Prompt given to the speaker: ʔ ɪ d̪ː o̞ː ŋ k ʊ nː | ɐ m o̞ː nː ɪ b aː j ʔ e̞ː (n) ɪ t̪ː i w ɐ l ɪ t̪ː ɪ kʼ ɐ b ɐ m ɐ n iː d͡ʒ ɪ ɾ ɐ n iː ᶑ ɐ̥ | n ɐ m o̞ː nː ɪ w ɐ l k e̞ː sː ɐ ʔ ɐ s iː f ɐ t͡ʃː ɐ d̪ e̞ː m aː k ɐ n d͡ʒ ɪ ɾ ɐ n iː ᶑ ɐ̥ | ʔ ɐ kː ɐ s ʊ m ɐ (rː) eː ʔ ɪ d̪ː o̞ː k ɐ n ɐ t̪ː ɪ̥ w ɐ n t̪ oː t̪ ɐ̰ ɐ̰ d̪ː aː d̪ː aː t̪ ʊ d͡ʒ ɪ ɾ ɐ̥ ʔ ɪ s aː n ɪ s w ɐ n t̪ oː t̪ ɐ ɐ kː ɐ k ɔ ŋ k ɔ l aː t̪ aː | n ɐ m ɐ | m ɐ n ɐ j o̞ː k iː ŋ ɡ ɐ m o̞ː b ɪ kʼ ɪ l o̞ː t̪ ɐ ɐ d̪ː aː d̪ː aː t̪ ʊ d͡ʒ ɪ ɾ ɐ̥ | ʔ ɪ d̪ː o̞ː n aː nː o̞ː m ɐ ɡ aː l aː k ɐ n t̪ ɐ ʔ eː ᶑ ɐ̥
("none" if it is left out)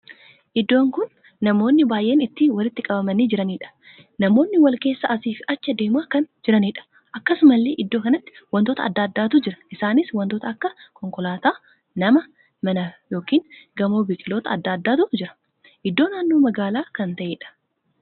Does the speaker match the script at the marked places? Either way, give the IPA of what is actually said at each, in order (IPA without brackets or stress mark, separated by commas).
n, lː